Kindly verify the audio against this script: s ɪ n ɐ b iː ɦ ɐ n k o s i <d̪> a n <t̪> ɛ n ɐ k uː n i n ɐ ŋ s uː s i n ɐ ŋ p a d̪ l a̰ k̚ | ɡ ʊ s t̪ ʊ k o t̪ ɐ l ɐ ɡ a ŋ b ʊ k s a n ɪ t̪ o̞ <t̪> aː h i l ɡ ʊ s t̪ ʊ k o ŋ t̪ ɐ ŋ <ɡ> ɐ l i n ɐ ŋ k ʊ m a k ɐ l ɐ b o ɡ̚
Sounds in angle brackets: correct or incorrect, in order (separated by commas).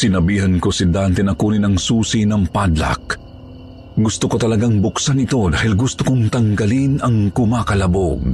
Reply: correct, correct, incorrect, correct